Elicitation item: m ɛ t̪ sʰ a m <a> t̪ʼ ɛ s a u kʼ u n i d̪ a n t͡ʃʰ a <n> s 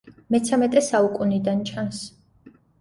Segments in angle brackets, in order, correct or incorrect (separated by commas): incorrect, correct